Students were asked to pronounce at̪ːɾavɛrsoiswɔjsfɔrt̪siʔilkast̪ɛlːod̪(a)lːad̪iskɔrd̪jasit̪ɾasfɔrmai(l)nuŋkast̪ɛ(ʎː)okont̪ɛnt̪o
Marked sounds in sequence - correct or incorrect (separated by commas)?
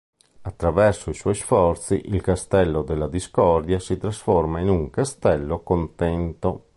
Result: incorrect, incorrect, incorrect